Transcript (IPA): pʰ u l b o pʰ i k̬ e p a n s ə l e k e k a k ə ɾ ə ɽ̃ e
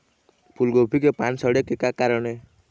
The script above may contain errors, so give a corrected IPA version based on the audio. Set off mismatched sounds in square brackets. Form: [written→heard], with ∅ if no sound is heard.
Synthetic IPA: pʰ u l [b→ɡ] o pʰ i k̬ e p a n s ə [l→ɽ] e k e k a k [ə→a] ɾ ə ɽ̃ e